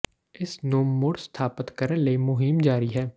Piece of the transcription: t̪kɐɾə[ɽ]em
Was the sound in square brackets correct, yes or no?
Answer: no